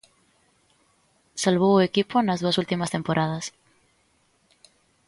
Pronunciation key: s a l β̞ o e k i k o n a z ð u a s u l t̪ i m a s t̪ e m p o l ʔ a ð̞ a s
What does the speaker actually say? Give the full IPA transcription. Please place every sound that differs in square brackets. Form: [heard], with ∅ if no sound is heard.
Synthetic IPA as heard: s a l β̞ o e k i [p] o n a z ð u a s u l t̪ i m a s t̪ e m p o [ɾ] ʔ a ð̞ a s